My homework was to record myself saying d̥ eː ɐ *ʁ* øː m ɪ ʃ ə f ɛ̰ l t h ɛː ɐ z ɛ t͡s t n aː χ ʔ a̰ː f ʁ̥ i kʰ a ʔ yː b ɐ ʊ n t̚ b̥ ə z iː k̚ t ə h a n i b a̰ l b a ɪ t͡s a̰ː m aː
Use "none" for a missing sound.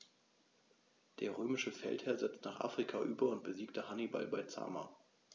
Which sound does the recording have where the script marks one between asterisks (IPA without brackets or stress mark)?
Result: ʁ